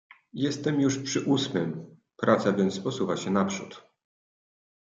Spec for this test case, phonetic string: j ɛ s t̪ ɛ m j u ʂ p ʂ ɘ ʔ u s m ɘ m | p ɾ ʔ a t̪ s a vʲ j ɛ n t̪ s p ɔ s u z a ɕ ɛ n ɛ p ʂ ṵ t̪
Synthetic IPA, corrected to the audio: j ɛ s t̪ ɛ m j u ʂ p ʂ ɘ ʔ u s m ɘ m | p ɾ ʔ a t̪ s a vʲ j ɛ n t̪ s p ɔ s u v a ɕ ɛ n a p ʂ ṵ t̪